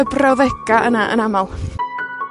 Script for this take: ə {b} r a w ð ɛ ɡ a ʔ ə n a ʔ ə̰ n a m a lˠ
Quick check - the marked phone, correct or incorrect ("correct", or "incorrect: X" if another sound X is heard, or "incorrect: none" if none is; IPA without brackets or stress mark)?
correct